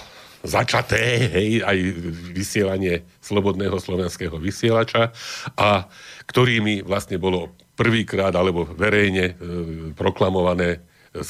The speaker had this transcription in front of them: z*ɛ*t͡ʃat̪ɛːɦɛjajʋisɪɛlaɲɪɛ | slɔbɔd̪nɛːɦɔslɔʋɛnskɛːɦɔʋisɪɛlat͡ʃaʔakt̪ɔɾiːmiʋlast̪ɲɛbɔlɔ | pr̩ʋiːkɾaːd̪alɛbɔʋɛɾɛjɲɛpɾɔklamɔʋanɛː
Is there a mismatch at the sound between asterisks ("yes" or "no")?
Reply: yes